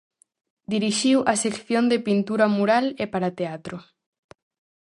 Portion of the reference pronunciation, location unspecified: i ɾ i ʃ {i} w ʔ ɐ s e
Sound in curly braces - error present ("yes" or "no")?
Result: no